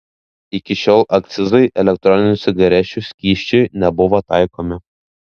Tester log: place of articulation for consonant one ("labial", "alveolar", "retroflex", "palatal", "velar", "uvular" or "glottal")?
velar